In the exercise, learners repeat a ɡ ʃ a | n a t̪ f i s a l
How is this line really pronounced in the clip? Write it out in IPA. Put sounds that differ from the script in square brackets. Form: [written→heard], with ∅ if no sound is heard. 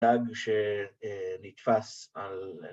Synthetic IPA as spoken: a ɡ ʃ [a→e] | n [a→i] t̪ f [i→a] s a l